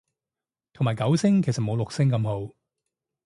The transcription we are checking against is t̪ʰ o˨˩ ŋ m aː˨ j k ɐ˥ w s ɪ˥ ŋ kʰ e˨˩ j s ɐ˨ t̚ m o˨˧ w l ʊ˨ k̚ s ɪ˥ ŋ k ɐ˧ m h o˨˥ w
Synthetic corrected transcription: t̪ʰ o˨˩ ŋ m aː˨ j k ɐ˨˥ w s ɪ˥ ŋ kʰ e˨˩ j s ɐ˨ t̚ m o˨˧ w l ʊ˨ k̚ s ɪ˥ ŋ k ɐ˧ m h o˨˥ w